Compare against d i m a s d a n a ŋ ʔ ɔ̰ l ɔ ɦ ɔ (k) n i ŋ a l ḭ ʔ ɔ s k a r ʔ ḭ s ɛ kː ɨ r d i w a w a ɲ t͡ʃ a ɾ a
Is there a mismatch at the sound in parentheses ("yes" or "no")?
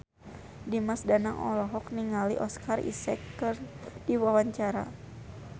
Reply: no